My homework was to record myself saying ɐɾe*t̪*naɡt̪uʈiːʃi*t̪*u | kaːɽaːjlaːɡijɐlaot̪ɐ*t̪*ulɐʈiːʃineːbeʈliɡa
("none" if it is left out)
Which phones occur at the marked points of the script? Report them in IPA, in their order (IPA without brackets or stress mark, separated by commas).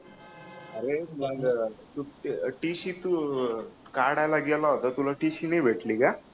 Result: none, t̪, t̪